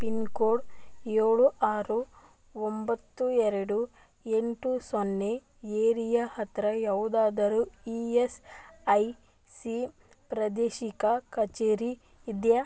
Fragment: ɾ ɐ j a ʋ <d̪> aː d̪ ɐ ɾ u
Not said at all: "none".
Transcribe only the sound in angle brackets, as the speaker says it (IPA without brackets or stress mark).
d̪